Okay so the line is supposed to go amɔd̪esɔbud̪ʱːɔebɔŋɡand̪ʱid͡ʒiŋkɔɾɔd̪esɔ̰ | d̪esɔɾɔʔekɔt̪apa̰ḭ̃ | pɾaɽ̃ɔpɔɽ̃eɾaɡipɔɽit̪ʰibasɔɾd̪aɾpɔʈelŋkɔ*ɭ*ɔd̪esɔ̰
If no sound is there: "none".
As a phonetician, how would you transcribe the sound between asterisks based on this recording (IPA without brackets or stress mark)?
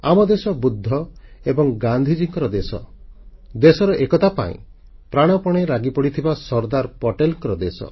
ɾ